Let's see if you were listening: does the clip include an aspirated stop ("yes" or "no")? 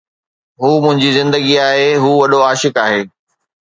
no